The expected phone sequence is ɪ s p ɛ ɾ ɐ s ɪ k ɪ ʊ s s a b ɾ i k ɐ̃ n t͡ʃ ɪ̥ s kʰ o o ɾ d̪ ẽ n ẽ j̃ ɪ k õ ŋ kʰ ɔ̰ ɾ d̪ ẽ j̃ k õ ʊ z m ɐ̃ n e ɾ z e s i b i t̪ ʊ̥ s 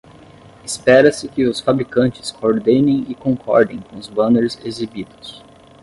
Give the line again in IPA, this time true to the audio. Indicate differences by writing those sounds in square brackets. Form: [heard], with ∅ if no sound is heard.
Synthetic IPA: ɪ s p ɛ ɾ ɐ s ɪ k ɪ ʊ s [f] a b ɾ i k ɐ̃ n t͡ʃ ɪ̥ s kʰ o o ɾ d̪ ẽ n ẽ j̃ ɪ k õ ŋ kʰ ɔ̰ ɾ d̪ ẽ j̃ k õ ʊ z [b] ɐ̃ n e ɾ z e [z] i b i [d̪] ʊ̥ s